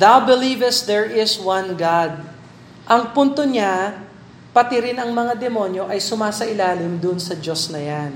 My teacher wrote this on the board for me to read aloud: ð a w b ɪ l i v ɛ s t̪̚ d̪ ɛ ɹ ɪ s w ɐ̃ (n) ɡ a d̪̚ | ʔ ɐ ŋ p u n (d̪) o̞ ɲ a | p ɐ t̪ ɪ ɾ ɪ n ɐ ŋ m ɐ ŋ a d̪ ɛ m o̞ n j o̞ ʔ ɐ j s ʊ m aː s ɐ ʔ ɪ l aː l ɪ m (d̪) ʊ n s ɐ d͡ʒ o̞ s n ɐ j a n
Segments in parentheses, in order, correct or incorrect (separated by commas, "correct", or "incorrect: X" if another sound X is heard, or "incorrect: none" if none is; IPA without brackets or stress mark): correct, incorrect: t̪, correct